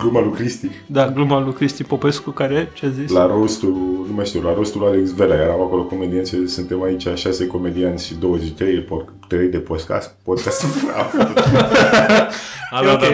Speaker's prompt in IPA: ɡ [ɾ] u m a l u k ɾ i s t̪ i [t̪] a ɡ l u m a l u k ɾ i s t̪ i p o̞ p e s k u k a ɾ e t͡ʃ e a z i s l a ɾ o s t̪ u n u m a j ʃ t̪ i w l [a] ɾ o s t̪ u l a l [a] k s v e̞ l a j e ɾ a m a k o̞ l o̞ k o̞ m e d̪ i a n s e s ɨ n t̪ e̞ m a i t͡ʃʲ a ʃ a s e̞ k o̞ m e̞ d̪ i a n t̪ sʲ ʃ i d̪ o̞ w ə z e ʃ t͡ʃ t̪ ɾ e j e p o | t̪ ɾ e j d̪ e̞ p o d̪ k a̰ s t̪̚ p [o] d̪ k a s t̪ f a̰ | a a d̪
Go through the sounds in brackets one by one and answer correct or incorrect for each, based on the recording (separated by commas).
incorrect, incorrect, correct, incorrect, correct